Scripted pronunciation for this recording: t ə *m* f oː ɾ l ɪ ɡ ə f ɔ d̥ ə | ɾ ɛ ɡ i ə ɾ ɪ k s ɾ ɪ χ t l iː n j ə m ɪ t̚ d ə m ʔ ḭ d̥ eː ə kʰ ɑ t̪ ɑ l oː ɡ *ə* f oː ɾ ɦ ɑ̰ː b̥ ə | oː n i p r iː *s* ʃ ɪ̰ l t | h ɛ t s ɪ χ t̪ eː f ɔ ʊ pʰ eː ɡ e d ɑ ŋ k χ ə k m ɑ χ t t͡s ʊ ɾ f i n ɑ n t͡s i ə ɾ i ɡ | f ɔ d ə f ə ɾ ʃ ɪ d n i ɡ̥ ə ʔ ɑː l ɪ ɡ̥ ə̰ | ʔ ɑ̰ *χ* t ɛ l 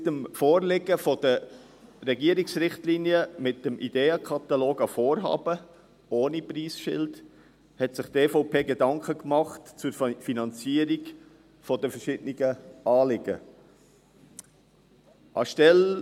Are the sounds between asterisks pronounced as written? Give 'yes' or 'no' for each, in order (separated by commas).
yes, no, yes, no